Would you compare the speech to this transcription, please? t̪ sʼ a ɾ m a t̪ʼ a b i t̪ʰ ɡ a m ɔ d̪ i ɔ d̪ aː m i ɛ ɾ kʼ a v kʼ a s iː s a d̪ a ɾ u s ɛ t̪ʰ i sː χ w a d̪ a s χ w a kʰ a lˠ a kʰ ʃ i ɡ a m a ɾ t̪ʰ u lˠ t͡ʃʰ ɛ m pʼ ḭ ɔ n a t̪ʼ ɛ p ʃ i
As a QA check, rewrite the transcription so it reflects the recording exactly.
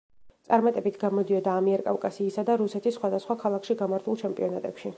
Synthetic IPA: t̪ sʼ a ɾ m a t̪ʼ ɛ b i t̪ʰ ɡ a m ɔ d̪ i ɔ d̪ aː m i ɛ ɾ kʼ a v kʼ a s iː s a d̪ a ɾ u s ɛ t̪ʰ i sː χ w a d̪ a s χ w a kʰ a lˠ a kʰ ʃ i ɡ a m a ɾ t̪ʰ u lˠ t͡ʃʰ ɛ m pʼ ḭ ɔ n a t̪ʼ ɛ p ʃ i